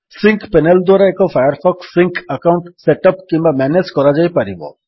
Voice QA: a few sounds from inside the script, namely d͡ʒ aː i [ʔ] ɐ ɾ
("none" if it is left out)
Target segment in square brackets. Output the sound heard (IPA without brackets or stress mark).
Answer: p